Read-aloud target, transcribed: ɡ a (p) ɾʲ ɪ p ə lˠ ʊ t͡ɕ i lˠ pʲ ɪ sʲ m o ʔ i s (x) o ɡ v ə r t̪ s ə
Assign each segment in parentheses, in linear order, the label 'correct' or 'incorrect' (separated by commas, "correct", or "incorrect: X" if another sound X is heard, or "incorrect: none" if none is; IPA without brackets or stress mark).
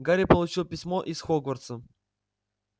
incorrect: none, correct